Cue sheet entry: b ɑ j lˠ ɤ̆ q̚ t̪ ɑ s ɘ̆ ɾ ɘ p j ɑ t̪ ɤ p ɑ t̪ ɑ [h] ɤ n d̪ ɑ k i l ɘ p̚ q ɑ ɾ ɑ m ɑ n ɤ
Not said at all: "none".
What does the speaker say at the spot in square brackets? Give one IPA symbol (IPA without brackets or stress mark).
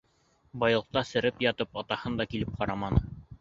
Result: h